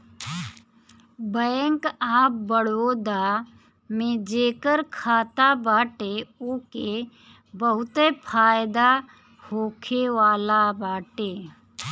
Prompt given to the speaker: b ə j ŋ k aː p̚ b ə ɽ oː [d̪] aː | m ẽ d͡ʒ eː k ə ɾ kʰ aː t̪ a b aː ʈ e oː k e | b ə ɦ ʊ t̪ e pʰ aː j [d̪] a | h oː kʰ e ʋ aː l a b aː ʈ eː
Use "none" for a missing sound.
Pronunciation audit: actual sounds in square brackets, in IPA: d̪, d̪

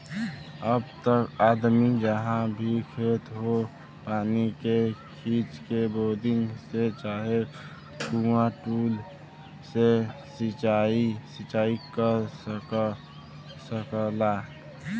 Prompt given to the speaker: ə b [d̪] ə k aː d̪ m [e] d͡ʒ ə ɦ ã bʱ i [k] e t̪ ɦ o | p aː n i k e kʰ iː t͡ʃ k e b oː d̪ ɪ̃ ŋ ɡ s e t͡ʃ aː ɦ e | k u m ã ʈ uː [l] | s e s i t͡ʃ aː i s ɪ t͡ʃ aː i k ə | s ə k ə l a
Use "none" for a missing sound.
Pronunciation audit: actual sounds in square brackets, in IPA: t̪, i, kʰ, l

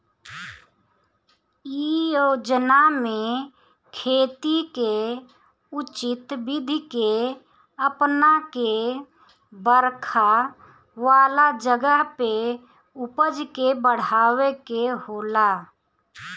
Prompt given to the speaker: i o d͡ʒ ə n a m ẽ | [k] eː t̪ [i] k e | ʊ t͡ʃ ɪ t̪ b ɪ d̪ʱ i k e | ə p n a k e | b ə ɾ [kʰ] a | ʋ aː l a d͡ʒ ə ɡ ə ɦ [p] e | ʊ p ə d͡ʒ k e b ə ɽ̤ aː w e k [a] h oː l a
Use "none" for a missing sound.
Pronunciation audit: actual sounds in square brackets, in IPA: kʰ, i, kʰ, p, e

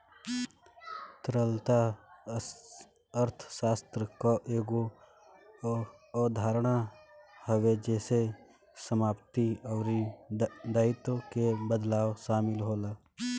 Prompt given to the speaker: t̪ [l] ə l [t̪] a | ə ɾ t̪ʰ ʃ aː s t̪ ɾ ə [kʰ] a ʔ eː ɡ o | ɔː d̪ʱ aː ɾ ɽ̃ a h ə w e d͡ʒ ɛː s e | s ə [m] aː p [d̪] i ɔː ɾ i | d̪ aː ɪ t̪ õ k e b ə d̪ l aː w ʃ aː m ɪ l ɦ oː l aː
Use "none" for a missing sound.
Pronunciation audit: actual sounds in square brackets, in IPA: ɾ, t̪, k, m, t̪

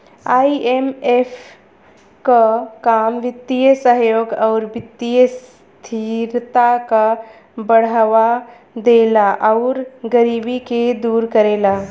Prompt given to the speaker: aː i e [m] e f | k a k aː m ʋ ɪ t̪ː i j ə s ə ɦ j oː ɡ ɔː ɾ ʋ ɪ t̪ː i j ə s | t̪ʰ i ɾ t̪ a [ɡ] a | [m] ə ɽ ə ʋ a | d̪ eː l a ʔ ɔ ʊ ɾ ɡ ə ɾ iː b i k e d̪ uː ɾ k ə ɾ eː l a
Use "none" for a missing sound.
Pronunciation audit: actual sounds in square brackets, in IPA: m, k, b

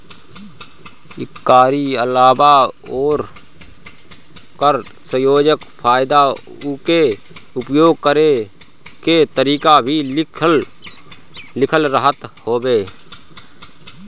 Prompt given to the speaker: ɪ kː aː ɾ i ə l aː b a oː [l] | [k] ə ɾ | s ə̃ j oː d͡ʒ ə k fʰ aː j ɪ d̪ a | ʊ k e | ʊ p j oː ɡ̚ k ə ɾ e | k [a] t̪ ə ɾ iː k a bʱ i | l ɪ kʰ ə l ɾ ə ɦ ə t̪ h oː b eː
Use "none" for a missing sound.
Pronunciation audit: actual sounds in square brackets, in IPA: ɾ, k, e

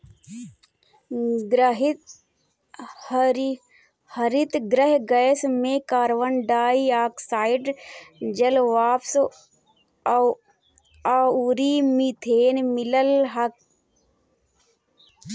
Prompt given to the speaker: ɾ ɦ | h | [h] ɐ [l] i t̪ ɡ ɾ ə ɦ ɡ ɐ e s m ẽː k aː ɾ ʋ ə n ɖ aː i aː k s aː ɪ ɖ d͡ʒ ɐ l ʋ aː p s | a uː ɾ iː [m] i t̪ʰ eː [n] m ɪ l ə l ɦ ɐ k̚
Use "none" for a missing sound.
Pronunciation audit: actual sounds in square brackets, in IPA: h, ɾ, m, n

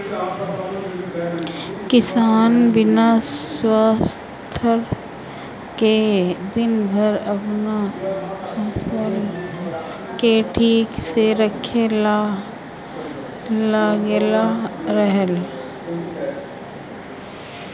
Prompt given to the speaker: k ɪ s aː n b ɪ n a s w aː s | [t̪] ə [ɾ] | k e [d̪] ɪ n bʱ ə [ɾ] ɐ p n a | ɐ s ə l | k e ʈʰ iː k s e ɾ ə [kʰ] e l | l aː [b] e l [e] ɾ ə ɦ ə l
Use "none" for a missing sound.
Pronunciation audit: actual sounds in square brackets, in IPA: t̪ʰ, ɾ, d̪, ɾ, kʰ, ɡ, a

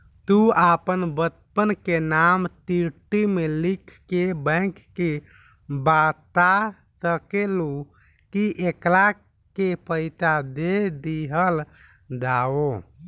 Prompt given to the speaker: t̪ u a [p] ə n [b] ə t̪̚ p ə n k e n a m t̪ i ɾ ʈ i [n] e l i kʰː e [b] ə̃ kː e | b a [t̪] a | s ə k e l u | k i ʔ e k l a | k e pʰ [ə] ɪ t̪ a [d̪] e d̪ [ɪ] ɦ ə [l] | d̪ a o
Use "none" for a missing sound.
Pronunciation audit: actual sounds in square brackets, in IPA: p, b, m, b, t̪, ə, d̪, i, l

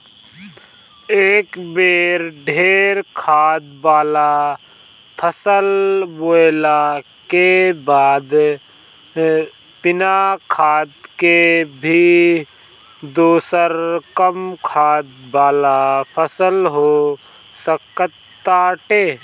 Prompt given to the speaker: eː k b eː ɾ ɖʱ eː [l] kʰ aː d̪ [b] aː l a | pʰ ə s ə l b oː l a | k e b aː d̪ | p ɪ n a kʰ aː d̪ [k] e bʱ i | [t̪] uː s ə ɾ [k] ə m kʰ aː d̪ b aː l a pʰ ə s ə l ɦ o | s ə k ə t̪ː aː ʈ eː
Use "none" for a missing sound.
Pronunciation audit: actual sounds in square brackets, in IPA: ɾ, b, k, d̪, k

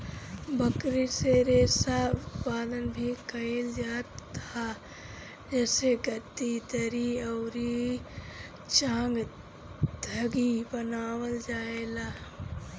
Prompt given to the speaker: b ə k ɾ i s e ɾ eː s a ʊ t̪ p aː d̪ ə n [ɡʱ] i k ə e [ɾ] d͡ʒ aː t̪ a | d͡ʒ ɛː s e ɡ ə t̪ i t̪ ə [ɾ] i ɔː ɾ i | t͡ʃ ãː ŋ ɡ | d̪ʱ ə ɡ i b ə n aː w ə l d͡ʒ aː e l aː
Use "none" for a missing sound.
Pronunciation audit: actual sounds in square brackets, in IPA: bʱ, l, ɾ

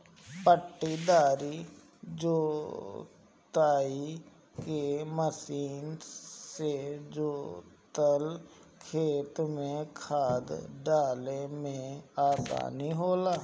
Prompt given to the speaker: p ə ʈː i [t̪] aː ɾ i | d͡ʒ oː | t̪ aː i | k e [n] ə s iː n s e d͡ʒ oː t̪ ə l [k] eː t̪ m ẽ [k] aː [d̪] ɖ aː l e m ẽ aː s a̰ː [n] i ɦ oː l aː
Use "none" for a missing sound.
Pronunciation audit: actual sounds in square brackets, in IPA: d̪, m, kʰ, kʰ, d̪, n

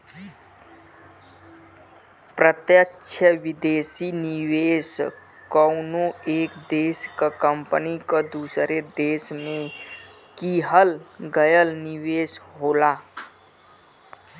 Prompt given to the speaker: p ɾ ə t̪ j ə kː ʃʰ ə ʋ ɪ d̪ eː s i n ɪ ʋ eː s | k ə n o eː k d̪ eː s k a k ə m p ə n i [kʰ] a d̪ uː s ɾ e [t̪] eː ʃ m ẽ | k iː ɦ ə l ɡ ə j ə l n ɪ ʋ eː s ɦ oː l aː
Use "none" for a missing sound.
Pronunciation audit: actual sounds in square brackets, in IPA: k, d̪

